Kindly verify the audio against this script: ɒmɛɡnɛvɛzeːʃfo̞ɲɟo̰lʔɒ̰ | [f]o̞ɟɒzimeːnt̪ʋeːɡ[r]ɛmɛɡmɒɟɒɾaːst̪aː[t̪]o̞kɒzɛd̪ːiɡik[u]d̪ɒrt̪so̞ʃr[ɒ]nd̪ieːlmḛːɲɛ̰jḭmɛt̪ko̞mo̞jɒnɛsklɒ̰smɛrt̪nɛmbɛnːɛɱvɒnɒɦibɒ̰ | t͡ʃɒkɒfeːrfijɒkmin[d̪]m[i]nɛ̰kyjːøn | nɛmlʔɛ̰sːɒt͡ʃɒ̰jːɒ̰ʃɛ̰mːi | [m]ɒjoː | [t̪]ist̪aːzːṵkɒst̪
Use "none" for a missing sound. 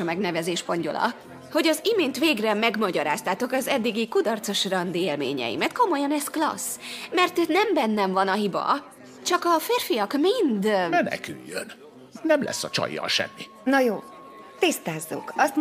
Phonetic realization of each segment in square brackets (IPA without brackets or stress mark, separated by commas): h, r, t̪, u, ɒ, d̪, ɛ, n, t̪